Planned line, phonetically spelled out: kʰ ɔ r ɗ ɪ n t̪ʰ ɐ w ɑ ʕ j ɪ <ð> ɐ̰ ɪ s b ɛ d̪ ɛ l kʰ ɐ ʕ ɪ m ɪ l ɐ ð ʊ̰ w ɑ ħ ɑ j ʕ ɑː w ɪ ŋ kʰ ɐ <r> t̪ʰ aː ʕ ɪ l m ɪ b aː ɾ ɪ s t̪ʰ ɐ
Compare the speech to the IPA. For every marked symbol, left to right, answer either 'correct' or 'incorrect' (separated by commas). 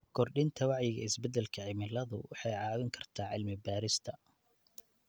incorrect, correct